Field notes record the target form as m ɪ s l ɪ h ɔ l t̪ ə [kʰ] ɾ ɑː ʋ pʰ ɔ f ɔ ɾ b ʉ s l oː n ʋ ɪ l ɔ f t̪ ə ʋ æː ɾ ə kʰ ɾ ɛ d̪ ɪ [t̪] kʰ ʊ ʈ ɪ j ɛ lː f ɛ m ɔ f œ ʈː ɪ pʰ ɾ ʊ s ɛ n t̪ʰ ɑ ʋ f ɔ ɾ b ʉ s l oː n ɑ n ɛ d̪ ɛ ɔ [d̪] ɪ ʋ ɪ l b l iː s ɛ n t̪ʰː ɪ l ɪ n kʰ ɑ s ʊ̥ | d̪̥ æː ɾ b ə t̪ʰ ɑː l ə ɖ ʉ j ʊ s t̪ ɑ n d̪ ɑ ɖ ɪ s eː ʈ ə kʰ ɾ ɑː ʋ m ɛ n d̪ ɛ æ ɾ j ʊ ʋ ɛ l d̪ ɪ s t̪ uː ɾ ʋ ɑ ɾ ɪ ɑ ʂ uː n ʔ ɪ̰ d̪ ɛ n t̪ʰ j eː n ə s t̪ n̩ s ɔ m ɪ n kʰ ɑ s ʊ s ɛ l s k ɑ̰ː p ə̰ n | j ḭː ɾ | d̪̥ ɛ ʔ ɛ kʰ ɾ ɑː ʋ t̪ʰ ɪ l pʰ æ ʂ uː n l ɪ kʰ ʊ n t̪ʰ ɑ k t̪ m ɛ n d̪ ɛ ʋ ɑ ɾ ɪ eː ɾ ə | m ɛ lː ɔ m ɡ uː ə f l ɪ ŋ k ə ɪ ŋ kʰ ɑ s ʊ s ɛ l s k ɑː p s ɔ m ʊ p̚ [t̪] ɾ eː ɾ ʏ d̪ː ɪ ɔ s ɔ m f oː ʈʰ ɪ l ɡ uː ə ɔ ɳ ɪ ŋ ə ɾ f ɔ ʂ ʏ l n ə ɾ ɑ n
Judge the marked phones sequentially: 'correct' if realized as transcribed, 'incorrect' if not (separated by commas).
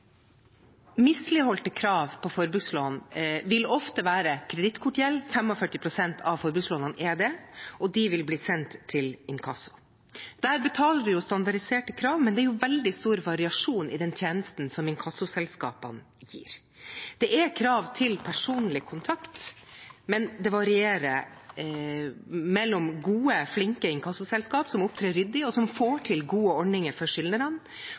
correct, correct, correct, incorrect